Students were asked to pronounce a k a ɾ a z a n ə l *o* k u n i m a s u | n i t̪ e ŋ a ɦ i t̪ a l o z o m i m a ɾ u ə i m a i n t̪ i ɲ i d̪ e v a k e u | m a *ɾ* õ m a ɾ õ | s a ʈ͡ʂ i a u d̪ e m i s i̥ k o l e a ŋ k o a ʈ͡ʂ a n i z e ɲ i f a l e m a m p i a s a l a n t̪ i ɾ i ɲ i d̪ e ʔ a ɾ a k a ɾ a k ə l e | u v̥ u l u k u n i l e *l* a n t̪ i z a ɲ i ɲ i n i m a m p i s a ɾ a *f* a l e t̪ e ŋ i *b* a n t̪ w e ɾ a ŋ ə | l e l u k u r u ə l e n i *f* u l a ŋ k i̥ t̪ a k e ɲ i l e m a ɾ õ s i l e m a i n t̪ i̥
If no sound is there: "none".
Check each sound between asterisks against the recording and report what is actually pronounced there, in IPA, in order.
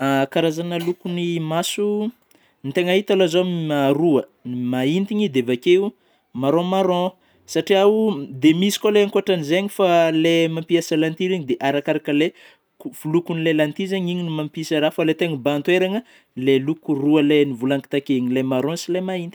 u, ɾ, l, f, b, v

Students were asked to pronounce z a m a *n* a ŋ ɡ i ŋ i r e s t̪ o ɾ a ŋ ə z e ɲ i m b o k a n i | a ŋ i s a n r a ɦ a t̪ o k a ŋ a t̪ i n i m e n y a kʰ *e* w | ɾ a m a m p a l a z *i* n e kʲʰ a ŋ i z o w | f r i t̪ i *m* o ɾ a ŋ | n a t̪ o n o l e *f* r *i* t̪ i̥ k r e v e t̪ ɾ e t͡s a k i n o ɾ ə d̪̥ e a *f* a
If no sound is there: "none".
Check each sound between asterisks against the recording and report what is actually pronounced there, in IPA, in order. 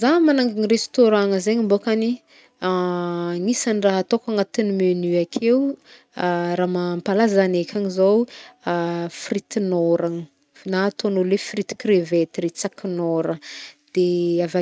n, e, a, n, f, i, v

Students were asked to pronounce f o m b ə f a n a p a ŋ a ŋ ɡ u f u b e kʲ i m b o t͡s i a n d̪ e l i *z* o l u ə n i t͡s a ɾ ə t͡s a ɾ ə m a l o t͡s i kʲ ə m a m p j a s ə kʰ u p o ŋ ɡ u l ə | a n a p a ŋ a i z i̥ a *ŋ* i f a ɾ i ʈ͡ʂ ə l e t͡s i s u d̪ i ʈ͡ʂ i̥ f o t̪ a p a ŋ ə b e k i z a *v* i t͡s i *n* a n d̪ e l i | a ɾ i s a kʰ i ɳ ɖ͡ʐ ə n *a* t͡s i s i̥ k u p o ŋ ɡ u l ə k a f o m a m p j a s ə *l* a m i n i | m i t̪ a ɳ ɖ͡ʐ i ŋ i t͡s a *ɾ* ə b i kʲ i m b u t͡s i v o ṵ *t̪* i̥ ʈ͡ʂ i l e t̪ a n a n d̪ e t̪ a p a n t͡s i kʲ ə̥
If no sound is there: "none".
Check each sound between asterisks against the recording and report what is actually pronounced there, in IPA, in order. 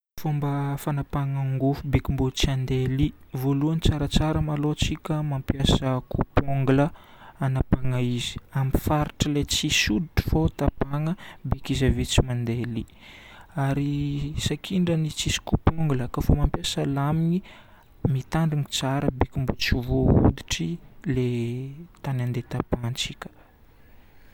v, m, v, m, i, l, ɾ, d̪

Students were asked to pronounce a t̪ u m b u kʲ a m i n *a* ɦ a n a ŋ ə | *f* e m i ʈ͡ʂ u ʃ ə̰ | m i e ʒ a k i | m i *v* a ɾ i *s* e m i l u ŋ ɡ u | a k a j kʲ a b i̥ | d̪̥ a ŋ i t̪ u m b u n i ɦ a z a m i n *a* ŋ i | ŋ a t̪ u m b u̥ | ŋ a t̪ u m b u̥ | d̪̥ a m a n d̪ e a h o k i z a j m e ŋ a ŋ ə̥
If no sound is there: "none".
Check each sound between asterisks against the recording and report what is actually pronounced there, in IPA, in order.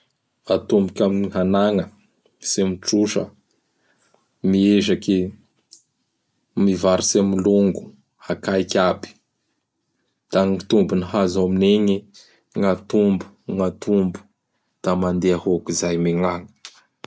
i, s, v, s, e

